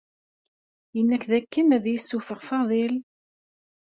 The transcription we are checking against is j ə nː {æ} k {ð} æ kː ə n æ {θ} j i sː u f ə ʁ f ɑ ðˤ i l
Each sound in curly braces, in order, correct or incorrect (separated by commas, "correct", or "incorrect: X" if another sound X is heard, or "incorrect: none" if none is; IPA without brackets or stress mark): correct, correct, incorrect: ð